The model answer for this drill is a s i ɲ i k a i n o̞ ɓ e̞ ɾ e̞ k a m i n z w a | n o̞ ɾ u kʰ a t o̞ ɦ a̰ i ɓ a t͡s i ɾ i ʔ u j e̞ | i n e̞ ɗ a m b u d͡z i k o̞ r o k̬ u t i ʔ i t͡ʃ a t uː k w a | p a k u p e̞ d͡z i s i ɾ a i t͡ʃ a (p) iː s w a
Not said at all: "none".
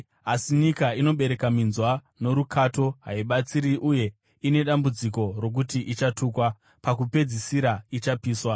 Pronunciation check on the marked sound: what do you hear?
p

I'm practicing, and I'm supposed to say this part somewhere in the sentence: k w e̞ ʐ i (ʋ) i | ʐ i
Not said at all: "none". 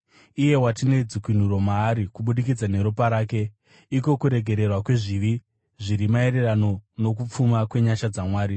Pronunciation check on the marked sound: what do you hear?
ʋ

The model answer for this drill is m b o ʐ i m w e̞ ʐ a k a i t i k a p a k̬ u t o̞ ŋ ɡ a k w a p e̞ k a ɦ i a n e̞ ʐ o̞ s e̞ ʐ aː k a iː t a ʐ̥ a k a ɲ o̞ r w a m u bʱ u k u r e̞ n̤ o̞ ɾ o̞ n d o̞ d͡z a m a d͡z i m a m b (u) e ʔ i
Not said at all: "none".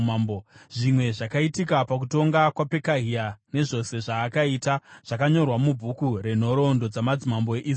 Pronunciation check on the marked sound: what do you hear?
o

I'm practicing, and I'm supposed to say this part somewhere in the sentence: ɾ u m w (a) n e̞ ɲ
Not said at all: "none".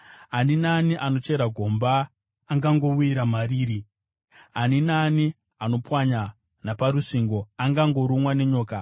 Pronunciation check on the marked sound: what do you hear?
a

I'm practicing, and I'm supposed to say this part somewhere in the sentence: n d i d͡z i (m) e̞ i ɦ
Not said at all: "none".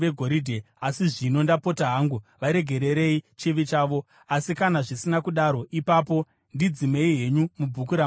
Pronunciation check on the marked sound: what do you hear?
m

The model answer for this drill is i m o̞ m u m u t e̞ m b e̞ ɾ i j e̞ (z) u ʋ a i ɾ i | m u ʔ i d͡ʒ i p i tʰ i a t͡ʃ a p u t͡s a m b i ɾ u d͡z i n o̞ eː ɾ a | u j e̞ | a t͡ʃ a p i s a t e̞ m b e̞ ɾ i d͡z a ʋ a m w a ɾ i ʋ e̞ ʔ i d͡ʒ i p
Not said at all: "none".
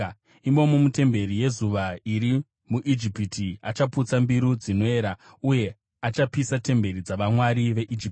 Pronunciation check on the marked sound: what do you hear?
z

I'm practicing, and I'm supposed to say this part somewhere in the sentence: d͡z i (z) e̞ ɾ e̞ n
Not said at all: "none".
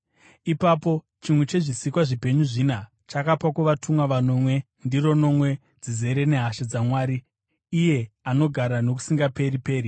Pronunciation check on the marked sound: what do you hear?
z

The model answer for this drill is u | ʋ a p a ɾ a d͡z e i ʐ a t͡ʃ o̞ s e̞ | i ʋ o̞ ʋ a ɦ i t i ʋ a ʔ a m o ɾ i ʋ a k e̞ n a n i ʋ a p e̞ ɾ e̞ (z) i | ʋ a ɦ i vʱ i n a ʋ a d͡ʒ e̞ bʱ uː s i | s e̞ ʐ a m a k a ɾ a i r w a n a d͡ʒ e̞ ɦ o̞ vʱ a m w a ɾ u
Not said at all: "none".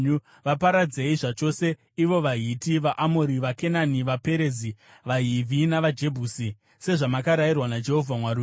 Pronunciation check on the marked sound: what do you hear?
z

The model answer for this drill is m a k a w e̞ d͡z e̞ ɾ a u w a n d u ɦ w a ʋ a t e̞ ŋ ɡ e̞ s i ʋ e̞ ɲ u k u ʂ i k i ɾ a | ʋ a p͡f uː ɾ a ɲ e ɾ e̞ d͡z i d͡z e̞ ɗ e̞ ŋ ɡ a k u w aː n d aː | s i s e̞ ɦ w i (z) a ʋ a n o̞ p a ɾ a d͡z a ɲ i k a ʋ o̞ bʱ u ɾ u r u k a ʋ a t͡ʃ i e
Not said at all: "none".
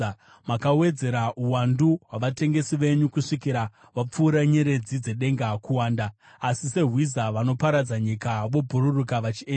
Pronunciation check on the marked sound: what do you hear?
z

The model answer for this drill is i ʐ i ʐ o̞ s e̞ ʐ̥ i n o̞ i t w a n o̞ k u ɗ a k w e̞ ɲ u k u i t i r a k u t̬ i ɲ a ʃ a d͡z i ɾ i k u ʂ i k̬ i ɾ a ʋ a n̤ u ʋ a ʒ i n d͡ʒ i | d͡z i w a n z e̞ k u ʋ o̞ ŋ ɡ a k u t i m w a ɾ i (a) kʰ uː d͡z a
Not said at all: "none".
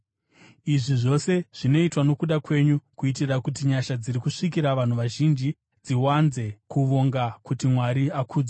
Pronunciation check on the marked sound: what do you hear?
a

